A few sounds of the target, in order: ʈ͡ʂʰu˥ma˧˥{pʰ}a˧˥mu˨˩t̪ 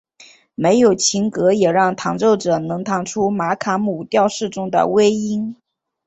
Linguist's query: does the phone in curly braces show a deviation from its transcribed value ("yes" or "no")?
yes